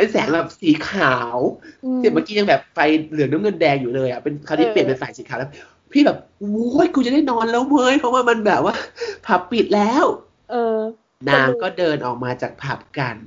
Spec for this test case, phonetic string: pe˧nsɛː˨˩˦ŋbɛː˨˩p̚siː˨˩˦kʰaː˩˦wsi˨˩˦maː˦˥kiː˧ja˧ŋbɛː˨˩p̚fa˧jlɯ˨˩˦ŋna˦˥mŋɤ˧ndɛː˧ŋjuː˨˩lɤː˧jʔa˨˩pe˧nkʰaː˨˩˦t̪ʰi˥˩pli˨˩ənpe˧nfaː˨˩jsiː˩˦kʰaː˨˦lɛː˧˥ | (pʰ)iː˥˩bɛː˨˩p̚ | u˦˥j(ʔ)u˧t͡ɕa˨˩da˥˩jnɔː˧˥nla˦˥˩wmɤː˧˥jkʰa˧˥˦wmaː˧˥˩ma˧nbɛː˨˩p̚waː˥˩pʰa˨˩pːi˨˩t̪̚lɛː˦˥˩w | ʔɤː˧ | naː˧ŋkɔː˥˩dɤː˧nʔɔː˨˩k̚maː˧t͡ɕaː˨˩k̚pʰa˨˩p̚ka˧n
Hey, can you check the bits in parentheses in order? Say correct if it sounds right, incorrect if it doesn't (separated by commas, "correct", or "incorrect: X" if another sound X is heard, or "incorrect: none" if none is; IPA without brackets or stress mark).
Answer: correct, incorrect: k